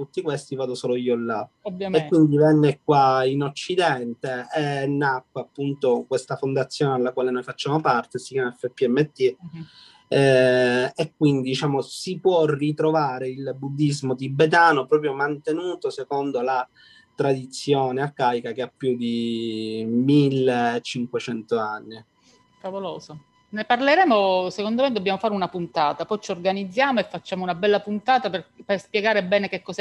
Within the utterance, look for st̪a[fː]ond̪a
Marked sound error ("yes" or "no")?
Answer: yes